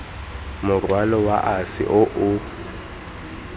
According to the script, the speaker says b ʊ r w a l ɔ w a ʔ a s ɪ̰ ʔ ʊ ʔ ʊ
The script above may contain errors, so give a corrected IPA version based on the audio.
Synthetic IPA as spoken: m ʊ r w a l ɔ w a ʔ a s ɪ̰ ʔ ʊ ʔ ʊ